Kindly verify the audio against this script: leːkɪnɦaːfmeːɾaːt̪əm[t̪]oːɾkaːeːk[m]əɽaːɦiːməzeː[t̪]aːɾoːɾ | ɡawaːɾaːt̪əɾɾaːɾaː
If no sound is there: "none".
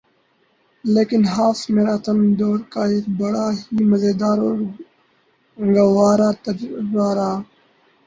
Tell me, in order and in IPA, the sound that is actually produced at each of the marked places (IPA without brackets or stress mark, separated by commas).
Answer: d̪, b, d̪